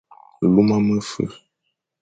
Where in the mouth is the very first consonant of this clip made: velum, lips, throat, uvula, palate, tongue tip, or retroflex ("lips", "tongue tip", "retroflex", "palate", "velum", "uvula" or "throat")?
tongue tip